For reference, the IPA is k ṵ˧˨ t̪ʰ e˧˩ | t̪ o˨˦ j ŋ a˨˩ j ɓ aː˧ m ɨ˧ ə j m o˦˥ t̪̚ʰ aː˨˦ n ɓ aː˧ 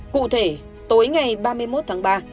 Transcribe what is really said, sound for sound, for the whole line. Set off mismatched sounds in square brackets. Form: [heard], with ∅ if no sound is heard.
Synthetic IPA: k ṵ˧˨ t̪ʰ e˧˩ | t̪ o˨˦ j ŋ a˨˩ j ɓ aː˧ m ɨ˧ ə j m o˦˥ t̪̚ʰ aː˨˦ [ŋ] ɓ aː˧